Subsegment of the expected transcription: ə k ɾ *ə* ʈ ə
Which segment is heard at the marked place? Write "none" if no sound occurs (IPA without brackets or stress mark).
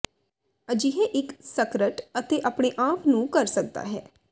ə